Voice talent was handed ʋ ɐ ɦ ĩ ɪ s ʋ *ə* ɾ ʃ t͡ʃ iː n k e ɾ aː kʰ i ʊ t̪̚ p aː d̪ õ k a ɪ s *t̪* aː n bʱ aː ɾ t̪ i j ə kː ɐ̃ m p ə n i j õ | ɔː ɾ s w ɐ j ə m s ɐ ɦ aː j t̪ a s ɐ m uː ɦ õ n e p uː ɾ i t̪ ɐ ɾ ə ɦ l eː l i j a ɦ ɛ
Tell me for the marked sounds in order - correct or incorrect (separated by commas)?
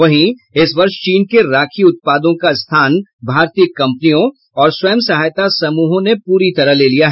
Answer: incorrect, incorrect